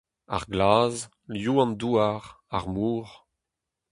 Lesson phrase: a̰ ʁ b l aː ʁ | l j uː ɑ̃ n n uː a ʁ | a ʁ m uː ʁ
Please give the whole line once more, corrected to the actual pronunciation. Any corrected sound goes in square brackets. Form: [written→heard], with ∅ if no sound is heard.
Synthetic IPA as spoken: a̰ ʁ [b→ɡ] l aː [ʁ→z] | l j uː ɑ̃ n [n→d] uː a ʁ | a ʁ m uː ʁ